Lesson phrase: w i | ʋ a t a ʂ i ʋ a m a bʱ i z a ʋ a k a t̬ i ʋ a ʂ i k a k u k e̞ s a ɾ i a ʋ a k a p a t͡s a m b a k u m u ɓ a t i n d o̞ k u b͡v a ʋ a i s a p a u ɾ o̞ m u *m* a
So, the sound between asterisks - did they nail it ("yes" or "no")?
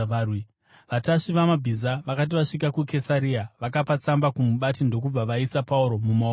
yes